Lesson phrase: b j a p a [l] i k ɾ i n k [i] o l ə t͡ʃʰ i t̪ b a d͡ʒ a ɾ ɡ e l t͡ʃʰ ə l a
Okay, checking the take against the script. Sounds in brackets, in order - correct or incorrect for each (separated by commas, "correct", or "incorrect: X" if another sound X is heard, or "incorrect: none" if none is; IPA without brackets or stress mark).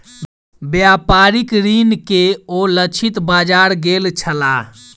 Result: incorrect: ɾ, incorrect: e